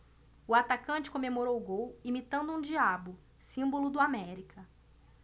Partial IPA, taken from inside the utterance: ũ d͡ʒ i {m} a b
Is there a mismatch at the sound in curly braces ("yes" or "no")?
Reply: yes